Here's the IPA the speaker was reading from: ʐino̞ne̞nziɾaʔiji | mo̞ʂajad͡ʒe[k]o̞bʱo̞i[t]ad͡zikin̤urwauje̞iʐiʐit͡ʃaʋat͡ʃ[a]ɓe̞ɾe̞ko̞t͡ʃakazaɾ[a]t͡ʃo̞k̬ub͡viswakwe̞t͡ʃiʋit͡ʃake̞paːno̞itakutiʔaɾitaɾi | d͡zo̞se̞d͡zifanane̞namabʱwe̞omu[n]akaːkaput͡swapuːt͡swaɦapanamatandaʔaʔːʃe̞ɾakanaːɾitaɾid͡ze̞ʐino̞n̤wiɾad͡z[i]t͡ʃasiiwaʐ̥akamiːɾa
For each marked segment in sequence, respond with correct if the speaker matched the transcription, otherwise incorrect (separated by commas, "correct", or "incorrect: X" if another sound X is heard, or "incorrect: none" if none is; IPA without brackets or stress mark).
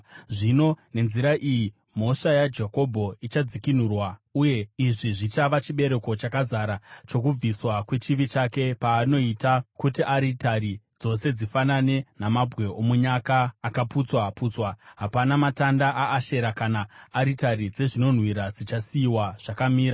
correct, incorrect: t͡ʃ, incorrect: i, correct, incorrect: ɲ, correct